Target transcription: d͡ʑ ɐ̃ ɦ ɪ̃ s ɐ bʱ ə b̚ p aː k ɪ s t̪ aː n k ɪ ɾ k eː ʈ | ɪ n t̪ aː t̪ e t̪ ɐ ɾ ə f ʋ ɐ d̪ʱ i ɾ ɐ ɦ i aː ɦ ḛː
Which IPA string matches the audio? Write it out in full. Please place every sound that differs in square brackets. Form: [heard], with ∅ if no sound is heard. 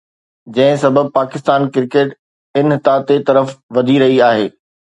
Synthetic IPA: d͡ʑ ɐ̃ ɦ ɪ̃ s ɐ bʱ ə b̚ p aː k ɪ s t̪ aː n k ɪ ɾ k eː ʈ | ɪ n t̪ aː t̪ e t̪ ɐ ɾ ə f ʋ ɐ d̪ʱ i ɾ ɐ ɦ i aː ɦ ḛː